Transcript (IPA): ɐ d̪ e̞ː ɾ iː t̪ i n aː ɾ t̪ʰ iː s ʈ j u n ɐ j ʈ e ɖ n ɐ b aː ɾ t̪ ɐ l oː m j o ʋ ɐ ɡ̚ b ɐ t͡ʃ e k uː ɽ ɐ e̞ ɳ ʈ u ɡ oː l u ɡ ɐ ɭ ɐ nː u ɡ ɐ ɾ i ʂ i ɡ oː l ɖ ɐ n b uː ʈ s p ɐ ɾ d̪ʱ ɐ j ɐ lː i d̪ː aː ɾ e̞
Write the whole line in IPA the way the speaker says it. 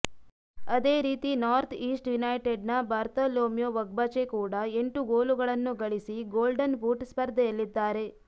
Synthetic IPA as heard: ɐ d̪ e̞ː ɾ iː t̪ i n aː ɾ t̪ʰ iː s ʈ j u n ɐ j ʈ e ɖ n ɐ b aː ɾ t̪ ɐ l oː m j o ʋ ɐ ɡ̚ b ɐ t͡ʃ e k uː ɽ ɐ e̞ ɳ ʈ u ɡ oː l u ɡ ɐ ɭ ɐ nː u ɡ ɐ ɭ i s i ɡ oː l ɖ ɐ n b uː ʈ s p ɐ ɾ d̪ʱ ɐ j ɐ lː i d̪ː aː ɾ e̞

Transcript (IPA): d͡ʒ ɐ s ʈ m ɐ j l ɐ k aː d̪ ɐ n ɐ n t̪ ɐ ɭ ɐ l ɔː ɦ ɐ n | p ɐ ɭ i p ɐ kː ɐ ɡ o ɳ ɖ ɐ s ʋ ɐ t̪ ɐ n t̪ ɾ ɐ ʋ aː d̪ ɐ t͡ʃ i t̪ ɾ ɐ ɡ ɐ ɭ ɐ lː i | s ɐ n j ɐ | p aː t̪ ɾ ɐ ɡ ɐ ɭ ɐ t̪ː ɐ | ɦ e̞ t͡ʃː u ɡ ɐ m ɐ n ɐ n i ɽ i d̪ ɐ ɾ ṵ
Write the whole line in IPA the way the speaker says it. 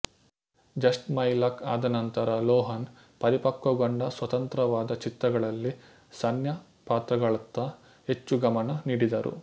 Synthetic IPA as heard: d͡ʒ ɐ s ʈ m ɐ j l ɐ k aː d̪ ɐ n ɐ n t̪ ɐ ɾ ɐ l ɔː ɦ ɐ n | p ɐ ɾ i p ɐ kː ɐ ɡ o ɳ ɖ ɐ s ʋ ɐ t̪ ɐ n t̪ ɾ ɐ ʋ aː d̪ ɐ t͡ʃ i t̪ ɾ ɐ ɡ ɐ ɭ ɐ lː i | s ɐ n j ɐ | p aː t̪ ɾ ɐ ɡ ɐ ɭ ɐ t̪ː ɐ | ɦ e̞ t͡ʃː u ɡ ɐ m ɐ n ɐ n iː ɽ i d̪ ɐ ɾ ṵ

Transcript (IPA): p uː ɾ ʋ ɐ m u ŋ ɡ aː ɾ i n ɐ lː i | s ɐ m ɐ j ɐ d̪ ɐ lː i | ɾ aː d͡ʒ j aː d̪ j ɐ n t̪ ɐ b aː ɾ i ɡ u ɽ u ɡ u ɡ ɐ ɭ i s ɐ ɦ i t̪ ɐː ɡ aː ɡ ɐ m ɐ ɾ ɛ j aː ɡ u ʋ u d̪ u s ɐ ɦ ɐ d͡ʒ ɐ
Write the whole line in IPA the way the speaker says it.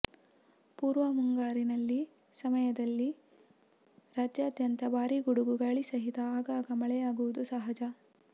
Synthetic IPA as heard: p uː ɾ ʋ ɐ m u ŋ ɡ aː ɾ i n ɐ lː i | s ɐ m ɐ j ɐ d̪ ɐ lː i | ɾ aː d͡ʒ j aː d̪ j ɐ n t̪ ɐ b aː ɾ i ɡ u ɽ u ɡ u ɡ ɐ ɭ i s ɐ ɦ i t̪ ɐː ɡ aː ɡ ɐ m ɐ ɭ ɛ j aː ɡ u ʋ u d̪ u s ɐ ɦ ɐ d͡ʒ ɐ

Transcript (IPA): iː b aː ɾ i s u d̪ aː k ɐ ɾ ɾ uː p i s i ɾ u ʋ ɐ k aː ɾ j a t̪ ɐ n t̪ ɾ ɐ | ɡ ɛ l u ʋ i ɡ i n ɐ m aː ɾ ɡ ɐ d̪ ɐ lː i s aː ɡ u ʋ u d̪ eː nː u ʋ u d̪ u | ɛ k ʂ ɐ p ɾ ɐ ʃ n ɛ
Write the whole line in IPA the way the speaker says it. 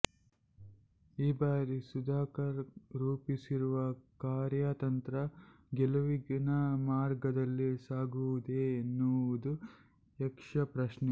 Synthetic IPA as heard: iː b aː ɾ i s u d̪ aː k ɐ ɾ ɾ uː p i s i ɾ u ʋ ɐ k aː ɾ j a t̪ ɐ n t̪ ɾ ɐ | ɡ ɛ l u ʋ i ɡ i n ɐ m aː ɾ ɡ ɐ d̪ ɐ lː i s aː ɡ u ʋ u d̪ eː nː u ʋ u d̪ u | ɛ k ʂ ɐ p ɾ ɐ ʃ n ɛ

